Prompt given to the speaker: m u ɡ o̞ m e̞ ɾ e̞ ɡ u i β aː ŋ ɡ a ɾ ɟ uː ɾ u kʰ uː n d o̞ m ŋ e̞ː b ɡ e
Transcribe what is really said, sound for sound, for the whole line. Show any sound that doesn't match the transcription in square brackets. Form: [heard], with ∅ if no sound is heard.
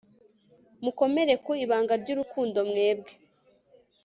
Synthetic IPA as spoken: m u [k] o̞ m e̞ ɾ e̞ [k] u i β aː ŋ ɡ a ɾ ɟ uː ɾ u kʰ uː n d o̞ m ŋ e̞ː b ɡ e